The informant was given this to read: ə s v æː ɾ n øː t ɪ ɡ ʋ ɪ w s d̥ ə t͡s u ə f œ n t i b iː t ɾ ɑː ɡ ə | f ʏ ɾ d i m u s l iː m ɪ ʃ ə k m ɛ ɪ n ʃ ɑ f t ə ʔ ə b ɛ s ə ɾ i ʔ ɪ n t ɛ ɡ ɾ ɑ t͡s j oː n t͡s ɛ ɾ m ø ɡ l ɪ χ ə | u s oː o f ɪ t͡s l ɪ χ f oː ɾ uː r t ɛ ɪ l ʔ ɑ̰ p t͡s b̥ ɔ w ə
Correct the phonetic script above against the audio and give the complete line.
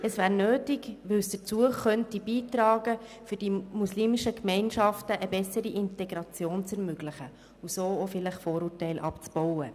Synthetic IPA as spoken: ə s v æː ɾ n øː t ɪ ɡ ʋ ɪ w s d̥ ə t͡s u ə χ œ n t i b iː t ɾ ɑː ɡ ə | f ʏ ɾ d i m u s l iː m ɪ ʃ ə k m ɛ ɪ n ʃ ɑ f t ə ʔ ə b ɛ s ə ɾ i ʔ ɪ n t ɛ ɡ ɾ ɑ t͡s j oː n t͡s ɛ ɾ m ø ɡ l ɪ χ ə | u s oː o f ɪ l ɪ χ f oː ɾ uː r t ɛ ɪ l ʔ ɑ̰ p t͡s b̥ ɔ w ə